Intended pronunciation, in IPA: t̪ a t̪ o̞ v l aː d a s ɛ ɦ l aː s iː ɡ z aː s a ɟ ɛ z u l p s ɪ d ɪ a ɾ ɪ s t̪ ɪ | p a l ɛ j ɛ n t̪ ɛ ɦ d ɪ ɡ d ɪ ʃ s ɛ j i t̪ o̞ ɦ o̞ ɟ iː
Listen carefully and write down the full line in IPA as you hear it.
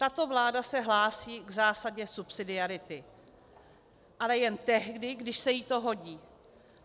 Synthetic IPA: t̪ a t̪ o̞ v l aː d a s ɛ ɦ l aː s iː ɡ z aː s a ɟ ɛ s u p s ɪ d ɪ a ɾ ɪ t̪ ɪ | ʔ a l ɛ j ɛ n t̪ ɛ ɦ d ɪ ɡ d ɪ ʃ s ɛ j i t̪ o̞ ɦ o̞ ɟ iː